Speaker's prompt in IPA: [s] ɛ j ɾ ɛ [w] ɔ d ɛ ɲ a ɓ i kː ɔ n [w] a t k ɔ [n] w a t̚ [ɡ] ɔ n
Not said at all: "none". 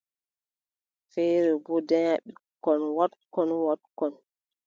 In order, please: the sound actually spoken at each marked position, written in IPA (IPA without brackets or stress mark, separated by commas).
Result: f, b, w, n, k